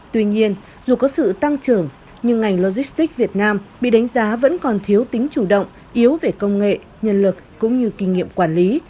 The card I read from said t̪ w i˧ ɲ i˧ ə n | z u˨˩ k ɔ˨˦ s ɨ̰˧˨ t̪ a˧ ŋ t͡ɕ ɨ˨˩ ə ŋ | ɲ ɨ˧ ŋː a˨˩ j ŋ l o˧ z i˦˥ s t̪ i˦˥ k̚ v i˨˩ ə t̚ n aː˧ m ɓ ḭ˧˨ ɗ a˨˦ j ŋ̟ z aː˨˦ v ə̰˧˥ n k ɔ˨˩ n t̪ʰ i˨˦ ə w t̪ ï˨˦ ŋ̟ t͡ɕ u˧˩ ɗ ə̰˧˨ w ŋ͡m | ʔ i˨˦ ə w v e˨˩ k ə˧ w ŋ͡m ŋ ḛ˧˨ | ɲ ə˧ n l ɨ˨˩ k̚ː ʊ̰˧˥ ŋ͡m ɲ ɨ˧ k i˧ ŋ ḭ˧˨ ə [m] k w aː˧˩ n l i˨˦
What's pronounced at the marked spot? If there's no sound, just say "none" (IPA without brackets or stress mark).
m